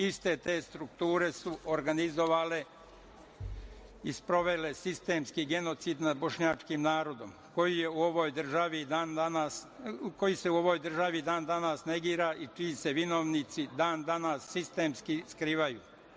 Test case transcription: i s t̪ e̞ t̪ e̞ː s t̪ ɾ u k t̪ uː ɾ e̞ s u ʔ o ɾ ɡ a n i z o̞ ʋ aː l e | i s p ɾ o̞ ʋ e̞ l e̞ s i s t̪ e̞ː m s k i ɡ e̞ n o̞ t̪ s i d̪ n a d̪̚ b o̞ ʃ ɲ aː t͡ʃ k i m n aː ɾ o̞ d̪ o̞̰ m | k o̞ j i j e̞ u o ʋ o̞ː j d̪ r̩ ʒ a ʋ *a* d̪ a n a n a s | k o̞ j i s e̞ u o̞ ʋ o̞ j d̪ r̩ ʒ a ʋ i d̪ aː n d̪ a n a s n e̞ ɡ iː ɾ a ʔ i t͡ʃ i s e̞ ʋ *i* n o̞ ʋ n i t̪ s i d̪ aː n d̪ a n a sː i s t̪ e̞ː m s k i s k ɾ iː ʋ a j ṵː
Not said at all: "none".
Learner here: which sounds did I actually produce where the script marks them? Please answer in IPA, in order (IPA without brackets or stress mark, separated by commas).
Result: i, i